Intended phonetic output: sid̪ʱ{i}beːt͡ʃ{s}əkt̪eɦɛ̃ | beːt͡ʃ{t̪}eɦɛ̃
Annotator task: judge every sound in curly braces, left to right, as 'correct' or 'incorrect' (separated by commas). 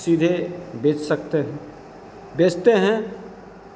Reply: incorrect, correct, correct